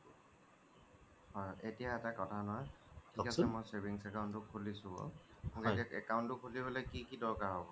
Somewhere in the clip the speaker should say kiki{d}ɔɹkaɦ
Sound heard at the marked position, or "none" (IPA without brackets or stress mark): d